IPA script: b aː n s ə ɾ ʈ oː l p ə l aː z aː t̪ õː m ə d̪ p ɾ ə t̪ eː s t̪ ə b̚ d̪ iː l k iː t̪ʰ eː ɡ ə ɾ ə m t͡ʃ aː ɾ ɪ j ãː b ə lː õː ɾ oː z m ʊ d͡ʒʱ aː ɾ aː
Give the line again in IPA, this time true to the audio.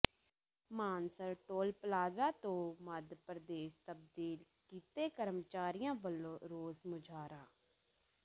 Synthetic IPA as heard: m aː n s ə ɾ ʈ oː l p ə l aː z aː t̪ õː m ə d̪ p ɾ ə d̪ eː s t̪ ə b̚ d̪ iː l k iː t̪ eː k ə ɾ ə m t͡ʃ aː ɾ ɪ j ãː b ə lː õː ɾ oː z m ʊ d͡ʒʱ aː ɾ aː